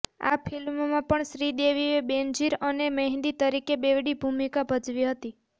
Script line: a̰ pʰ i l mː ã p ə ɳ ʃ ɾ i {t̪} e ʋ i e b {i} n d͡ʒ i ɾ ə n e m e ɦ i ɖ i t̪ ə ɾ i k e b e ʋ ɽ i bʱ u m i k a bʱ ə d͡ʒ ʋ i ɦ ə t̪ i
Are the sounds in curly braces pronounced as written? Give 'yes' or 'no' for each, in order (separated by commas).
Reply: no, no